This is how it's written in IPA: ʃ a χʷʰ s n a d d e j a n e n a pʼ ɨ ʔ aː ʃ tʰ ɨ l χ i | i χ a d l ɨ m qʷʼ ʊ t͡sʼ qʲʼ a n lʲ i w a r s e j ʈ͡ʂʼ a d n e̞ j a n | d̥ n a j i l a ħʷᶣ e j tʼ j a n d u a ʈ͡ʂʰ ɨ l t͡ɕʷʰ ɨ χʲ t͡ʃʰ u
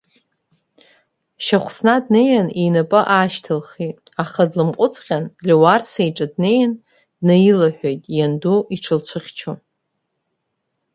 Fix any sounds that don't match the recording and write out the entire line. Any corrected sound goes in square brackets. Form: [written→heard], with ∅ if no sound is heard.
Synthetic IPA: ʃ a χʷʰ s n a d [d→n] e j a n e n a pʼ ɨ ʔ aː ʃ tʰ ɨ l χ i | [i→a] χ a d l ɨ m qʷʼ ʊ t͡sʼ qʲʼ a n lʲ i w a r s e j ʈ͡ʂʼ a d n e̞ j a n | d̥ n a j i l a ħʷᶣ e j tʼ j a n d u [a→i] ʈ͡ʂʰ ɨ l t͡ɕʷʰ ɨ χʲ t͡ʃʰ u